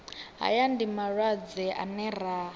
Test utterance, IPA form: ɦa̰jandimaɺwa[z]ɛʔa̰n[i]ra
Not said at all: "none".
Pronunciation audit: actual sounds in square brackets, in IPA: d͡z, ɛ

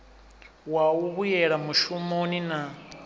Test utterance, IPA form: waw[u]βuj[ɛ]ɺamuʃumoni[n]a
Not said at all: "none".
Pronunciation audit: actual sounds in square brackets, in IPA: u, ɛ, n

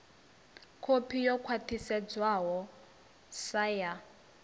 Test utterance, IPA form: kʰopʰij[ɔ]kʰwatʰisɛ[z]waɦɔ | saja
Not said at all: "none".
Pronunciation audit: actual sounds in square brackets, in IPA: ɔ, d͡z

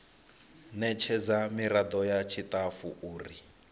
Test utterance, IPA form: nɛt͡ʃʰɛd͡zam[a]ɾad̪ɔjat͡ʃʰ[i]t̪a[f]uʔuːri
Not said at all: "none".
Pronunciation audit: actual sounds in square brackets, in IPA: i, i, f

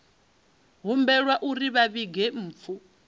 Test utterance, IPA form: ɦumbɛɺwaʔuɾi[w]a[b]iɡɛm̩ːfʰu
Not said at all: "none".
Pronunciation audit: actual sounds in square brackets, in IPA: β, β

